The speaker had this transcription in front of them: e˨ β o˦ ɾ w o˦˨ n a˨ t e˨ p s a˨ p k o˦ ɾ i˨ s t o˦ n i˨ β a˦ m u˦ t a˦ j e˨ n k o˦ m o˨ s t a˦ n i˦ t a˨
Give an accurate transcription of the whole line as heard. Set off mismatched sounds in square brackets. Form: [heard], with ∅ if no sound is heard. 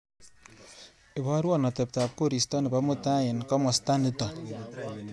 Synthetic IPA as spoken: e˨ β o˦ ɾ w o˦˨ n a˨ t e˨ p [t] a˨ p k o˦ ɾ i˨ s t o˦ n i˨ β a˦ m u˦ t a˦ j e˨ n k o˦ m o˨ s t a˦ n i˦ t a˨